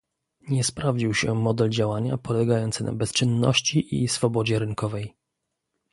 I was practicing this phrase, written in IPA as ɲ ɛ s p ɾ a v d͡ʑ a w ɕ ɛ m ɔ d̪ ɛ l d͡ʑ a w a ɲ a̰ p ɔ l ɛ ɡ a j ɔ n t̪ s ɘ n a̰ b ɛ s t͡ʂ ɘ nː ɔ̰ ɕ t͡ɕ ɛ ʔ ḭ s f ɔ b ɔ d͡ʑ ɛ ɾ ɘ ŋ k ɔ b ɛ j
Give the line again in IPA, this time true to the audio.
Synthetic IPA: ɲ ɛ s p ɾ a v d͡ʑ i w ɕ ɛ m ɔ d̪ ɛ l d͡ʑ a w a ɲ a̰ p ɔ l ɛ ɡ a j ɔ n t̪ s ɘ n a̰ b ɛ s t͡ʂ ɘ nː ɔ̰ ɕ t͡ɕ i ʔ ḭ s f ɔ b ɔ d͡ʑ ɛ ɾ ɘ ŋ k ɔ v ɛ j